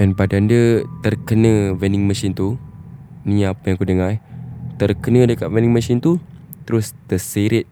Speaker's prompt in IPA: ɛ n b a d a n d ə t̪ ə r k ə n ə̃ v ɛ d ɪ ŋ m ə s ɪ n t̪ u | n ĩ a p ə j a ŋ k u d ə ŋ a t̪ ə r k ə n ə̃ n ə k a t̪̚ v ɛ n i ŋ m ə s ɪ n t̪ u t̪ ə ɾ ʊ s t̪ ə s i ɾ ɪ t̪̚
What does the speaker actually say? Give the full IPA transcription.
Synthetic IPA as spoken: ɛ n b a d a n d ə t̪ ə r k ə n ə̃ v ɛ n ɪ ŋ m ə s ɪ n t̪ u | n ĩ a p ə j a ŋ k u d ə ŋ a t̪ ə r k ə n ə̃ d ə k a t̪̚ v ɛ n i ŋ m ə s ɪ n t̪ u t̪ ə ɾ ʊ s t̪ ə s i ɾ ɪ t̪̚